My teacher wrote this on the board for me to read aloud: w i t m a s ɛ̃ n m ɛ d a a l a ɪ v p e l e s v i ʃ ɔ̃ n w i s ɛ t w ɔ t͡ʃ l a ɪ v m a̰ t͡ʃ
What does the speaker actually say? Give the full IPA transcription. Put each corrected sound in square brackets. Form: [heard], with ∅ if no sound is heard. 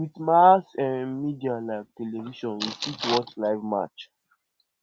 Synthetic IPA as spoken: w i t m a s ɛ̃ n m [i] d [i] a l a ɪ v [t] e l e [∅] v i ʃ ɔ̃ n w i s [i] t w ɔ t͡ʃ l a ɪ v m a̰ t͡ʃ